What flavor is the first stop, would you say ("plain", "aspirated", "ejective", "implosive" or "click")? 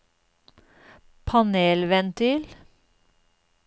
aspirated